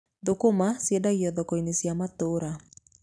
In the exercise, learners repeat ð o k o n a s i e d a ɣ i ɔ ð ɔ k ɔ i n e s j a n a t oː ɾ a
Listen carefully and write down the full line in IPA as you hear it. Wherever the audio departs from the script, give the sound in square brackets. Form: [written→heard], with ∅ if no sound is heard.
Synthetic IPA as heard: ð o k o [n→m] a s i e d a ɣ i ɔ ð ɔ k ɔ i n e s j a [n→m] a t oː ɾ a